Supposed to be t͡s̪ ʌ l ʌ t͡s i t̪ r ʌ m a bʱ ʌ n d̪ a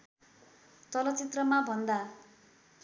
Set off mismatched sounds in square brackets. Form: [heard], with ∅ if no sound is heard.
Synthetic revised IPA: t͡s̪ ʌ l ʌ t͡s i t̪ r ʌ m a bʱ ʌ n d̪ a